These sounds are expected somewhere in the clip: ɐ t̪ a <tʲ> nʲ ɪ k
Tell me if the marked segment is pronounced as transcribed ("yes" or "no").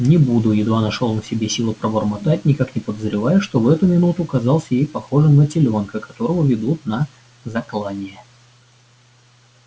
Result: yes